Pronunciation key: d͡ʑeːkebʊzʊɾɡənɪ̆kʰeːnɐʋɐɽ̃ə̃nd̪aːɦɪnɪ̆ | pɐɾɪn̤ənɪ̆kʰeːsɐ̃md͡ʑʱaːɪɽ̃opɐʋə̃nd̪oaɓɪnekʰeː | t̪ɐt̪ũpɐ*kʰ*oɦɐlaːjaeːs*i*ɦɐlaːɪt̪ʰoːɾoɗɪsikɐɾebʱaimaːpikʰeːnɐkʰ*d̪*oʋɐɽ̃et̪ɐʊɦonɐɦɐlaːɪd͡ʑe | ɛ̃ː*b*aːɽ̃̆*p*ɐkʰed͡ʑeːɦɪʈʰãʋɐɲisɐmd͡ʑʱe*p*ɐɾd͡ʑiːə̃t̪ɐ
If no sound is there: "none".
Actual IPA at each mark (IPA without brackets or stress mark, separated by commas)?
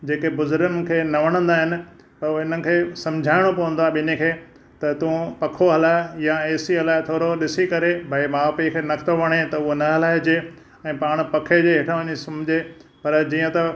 kʰ, i, t̪, p, p, p